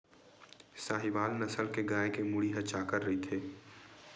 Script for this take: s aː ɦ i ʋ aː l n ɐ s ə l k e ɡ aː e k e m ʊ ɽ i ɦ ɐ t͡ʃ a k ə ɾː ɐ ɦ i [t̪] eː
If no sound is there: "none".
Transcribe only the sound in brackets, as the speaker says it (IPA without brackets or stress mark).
t̪ʰ